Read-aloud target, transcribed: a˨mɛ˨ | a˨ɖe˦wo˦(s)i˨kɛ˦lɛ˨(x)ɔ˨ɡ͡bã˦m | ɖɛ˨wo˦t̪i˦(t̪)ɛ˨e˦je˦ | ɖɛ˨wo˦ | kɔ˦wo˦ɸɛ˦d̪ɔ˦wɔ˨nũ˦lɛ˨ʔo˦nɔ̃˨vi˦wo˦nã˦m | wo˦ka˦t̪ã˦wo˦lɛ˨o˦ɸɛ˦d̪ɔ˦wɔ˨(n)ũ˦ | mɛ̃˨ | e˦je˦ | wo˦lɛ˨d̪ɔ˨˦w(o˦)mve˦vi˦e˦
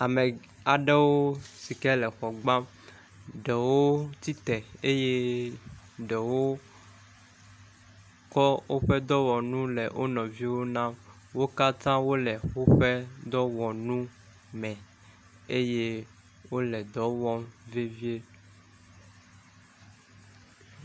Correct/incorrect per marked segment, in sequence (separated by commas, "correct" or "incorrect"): correct, correct, correct, correct, incorrect